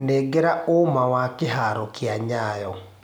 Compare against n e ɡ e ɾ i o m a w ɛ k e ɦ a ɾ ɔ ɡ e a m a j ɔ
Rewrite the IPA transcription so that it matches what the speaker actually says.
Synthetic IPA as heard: n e ɡ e ɾ a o m a w a k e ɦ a ɾ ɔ k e a ɲ a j ɔ